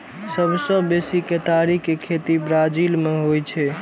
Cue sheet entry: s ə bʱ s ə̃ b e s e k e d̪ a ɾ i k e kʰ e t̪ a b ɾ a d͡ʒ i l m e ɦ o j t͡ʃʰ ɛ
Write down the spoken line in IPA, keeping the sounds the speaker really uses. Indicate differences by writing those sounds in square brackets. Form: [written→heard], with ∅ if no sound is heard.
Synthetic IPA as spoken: s ə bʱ s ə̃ b e s [e→i] k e [d̪→t̪] a ɾ i k e kʰ e t̪ [a→i] b ɾ a d͡ʒ i l m e ɦ o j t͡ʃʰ ɛ